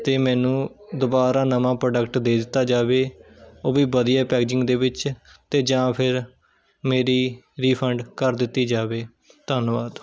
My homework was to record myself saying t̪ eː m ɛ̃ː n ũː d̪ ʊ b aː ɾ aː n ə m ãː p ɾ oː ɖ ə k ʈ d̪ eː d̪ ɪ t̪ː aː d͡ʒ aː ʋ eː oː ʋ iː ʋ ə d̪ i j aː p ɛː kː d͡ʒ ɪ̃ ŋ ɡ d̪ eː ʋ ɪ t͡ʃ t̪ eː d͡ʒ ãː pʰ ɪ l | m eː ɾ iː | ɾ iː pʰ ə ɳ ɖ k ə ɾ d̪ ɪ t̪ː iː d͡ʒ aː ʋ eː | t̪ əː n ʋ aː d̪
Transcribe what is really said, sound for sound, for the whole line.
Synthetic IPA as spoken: t̪ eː m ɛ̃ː n ũː d̪ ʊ b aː ɾ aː n ə m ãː p ɾ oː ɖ ə k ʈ d̪ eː d̪ ɪ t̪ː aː d͡ʒ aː ʋ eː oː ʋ iː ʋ ə d̪ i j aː p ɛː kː d͡ʒ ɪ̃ ŋ ɡ d̪ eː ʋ ɪ t͡ʃ t̪ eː d͡ʒ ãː pʰ ɪ ɾ | m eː ɾ iː | ɾ iː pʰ ə ɳ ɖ k ə ɾ d̪ ɪ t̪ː iː d͡ʒ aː ʋ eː | t̪ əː n ʋ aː d̪